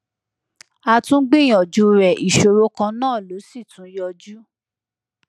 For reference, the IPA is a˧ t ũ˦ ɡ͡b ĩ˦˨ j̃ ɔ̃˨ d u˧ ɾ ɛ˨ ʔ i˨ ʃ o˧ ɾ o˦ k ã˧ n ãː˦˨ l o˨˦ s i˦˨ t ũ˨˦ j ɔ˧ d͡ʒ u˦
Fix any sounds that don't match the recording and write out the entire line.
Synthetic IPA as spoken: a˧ t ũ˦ ɡ͡b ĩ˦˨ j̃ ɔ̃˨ d͡ʒ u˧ ɾ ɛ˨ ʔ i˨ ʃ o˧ ɾ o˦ k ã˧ n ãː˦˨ l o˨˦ s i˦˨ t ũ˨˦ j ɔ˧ d͡ʒ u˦